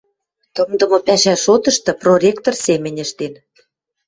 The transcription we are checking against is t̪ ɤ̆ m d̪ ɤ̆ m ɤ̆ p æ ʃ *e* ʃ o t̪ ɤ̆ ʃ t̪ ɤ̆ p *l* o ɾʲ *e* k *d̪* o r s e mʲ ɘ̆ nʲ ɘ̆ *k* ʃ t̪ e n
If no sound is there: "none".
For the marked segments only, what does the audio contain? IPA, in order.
æ, r, e, t̪, none

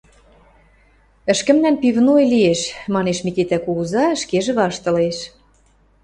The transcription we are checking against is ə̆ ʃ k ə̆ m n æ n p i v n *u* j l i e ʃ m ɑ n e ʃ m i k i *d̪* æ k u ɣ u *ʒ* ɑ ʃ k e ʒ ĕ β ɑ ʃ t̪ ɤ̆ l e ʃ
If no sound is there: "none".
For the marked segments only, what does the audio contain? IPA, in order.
o, t̪, z

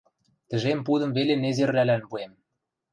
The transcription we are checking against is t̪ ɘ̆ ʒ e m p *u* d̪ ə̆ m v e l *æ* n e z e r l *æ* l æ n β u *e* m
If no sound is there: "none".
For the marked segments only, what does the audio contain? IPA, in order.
u, e, æ, e

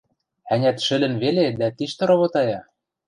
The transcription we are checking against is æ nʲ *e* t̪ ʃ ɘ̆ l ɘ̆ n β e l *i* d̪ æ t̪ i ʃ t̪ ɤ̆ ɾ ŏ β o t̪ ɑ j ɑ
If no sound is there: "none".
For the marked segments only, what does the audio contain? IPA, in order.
æ, e

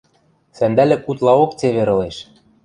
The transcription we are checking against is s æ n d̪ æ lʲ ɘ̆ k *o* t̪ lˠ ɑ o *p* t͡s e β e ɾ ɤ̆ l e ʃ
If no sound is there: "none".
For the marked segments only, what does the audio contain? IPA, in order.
u, k

